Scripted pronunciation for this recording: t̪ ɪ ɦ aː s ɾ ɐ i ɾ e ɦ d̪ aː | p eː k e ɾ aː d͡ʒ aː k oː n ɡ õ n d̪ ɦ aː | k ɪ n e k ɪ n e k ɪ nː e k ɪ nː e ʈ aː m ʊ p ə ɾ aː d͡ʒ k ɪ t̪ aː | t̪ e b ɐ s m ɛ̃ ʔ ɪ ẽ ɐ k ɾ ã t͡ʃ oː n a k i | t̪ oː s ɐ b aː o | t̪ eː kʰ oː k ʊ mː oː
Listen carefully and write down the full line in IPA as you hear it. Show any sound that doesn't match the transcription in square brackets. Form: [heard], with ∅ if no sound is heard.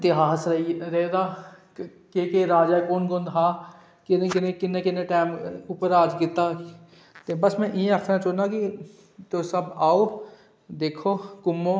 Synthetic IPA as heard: t̪ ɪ ɦ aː s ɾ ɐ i ɾ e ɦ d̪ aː | [k] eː k e ɾ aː d͡ʒ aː k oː n ɡ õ n d̪ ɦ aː | k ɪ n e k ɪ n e k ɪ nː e k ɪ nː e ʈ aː m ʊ p ə ɾ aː d͡ʒ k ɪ t̪ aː | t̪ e b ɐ s m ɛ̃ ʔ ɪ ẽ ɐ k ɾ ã t͡ʃ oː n a k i | t̪ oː s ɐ b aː o | [d̪] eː kʰ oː k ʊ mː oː